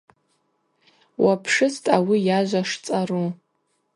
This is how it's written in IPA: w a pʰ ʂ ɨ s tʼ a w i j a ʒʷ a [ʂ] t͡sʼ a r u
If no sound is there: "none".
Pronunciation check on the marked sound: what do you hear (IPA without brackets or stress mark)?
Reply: ʂ